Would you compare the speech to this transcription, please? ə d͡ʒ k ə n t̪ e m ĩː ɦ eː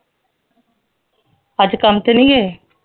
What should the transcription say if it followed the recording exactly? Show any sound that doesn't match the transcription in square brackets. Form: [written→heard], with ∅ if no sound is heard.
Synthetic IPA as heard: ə d͡ʒ k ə [n→m] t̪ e [m→n] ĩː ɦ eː